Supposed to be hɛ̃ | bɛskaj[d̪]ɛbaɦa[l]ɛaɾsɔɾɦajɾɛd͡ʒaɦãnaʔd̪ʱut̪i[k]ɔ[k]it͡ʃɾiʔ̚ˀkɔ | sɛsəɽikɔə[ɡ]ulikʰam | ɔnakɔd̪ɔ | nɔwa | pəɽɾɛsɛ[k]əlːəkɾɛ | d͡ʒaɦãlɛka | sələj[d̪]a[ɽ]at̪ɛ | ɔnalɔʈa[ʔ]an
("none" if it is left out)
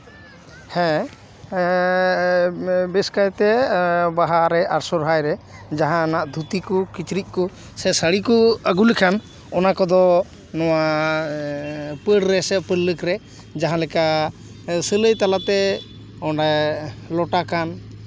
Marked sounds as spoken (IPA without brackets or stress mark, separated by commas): t̪, ɾ, k, k, ɡ, p, t̪, l, k